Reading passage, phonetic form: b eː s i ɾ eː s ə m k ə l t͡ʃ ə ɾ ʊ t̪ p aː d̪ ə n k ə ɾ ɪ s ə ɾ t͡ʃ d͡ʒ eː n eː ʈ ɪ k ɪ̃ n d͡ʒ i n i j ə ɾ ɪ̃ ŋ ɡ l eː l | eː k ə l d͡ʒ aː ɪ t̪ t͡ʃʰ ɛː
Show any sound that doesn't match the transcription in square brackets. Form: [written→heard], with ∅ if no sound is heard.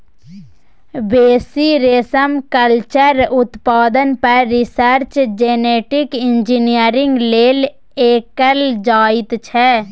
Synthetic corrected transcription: b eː s i ɾ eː s ə m k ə l t͡ʃ ə ɾ ʊ t̪ p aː d̪ ə n [k→p] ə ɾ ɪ s ə ɾ t͡ʃ d͡ʒ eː n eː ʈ ɪ k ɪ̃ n d͡ʒ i n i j ə ɾ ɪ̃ ŋ ɡ l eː l | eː k ə l d͡ʒ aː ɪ t̪ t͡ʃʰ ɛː